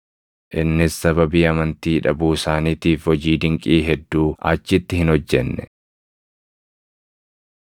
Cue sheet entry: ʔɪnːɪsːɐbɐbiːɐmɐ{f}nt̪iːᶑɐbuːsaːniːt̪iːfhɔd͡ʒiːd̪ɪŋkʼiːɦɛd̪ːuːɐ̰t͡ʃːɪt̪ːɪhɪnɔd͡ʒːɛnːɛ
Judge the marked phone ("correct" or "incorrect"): incorrect